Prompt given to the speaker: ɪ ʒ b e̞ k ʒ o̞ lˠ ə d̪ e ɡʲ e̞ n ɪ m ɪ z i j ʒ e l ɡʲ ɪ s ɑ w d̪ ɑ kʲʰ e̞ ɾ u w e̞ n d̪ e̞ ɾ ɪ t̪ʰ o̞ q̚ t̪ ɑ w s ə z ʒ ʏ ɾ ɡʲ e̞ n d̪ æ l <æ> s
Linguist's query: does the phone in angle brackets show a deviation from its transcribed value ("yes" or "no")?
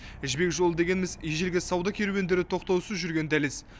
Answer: yes